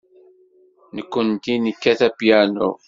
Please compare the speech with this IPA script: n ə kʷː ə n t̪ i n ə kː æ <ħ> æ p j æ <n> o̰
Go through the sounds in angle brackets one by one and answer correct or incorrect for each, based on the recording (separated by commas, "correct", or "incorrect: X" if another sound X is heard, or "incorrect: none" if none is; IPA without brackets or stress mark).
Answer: incorrect: θ, correct